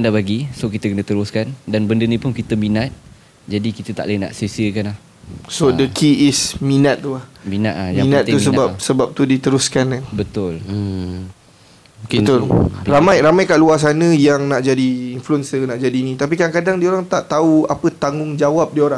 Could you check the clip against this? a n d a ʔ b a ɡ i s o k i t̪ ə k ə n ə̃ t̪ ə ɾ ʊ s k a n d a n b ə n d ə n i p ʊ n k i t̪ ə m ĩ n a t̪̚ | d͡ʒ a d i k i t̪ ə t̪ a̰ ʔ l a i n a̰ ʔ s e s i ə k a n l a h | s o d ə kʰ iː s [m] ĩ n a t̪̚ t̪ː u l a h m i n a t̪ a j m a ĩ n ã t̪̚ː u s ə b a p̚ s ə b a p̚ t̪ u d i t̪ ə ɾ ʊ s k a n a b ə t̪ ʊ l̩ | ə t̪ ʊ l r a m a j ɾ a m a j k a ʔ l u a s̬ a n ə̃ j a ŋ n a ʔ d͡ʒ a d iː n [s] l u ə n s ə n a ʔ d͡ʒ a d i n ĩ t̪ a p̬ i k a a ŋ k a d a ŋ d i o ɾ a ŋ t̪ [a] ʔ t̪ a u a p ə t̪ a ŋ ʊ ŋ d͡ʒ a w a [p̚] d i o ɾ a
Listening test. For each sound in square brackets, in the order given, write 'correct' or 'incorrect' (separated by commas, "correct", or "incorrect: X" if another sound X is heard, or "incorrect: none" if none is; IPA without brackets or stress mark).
correct, incorrect: f, correct, correct